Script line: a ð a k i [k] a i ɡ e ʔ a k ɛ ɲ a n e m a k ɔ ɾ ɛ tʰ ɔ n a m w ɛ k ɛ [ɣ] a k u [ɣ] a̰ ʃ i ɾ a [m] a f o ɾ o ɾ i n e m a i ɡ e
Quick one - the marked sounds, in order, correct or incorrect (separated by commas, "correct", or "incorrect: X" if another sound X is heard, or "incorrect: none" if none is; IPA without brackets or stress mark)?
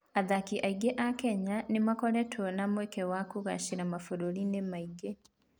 incorrect: ʔ, incorrect: w, correct, correct